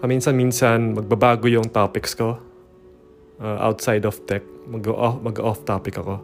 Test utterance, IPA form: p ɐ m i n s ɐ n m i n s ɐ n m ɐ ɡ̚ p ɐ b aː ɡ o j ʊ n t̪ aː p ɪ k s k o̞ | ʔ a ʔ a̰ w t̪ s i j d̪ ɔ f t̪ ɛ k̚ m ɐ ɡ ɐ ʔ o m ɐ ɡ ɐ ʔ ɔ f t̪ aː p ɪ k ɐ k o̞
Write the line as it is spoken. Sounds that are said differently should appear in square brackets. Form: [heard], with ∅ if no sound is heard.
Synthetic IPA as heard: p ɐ m i n s ɐ n m i n s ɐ n m ɐ ɡ̚ [b] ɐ b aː ɡ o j ʊ [ŋ] t̪ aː p ɪ k s k o̞ | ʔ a ʔ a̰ w t̪ s [a] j d̪ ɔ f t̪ ɛ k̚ m ɐ ɡ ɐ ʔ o m ɐ ɡ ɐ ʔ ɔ f t̪ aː p ɪ k ɐ k o̞